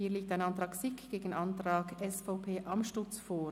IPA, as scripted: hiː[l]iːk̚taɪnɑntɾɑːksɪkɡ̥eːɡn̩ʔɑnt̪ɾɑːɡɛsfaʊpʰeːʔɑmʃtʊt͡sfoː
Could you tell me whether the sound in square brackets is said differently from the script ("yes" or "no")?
no